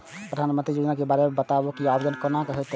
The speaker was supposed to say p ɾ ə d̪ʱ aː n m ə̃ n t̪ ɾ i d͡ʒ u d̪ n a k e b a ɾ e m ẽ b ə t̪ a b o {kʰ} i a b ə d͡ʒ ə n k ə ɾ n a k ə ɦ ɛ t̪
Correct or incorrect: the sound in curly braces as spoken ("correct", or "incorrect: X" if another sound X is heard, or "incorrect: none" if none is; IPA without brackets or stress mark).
incorrect: k